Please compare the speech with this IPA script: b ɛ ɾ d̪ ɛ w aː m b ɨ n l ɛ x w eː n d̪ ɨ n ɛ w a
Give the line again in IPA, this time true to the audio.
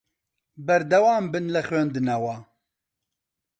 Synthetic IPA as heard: b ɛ ɾ d̪ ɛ w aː m b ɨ n l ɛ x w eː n d̪ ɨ n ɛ w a